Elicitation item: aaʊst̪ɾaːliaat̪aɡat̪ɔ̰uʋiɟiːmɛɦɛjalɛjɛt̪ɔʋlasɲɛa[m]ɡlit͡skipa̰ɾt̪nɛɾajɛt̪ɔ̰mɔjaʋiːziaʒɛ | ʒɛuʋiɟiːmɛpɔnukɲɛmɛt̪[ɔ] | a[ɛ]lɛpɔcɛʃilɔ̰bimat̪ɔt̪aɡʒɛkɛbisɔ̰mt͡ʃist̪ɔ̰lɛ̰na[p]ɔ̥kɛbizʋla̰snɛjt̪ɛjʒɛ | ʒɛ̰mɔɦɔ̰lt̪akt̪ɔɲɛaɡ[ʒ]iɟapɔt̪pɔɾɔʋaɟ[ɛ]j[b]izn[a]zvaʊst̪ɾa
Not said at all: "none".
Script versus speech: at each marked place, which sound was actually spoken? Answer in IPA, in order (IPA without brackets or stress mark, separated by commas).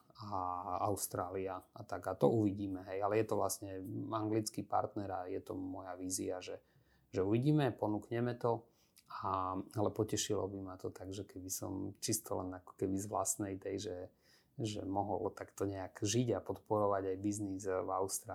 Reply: ŋ, ɔ, a, k, ʒ, a, b, i